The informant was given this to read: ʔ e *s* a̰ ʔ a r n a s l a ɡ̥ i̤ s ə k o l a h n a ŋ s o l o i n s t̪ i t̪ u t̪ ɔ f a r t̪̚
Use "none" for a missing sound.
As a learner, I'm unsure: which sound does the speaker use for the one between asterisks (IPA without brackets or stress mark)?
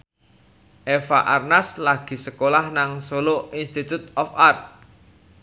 f